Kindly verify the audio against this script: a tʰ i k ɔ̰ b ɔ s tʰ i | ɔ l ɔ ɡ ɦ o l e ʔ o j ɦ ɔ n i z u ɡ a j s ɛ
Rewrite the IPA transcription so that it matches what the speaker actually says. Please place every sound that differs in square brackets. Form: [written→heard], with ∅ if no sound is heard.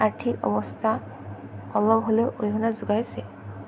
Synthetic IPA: a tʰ i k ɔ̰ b ɔ s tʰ [i→a] | ɔ l ɔ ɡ ɦ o l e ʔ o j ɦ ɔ n [i→a] z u ɡ a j s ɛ